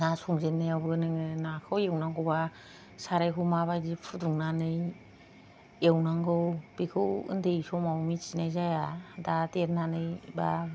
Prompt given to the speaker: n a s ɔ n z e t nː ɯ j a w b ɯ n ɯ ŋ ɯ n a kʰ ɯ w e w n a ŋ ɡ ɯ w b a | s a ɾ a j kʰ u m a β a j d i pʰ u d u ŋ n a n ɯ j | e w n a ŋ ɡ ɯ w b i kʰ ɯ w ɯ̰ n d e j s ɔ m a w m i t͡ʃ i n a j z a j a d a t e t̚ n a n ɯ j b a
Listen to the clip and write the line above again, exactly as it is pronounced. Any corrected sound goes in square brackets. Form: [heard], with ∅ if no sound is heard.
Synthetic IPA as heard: n a s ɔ [ŋ] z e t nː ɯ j a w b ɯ n ɯ ŋ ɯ n a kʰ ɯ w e w n a ŋ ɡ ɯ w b a | s a ɾ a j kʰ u m a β a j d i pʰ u d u ŋ n a n ɯ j | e w n a ŋ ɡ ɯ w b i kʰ ɯ w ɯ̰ n d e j s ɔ m a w m i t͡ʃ i n a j z a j a d a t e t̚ n a n ɯ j b a